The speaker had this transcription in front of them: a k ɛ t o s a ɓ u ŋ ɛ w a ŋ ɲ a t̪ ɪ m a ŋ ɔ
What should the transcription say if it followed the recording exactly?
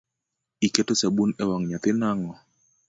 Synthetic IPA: i k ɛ t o s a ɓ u n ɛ w a ŋ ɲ a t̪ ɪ n a ŋ ɔ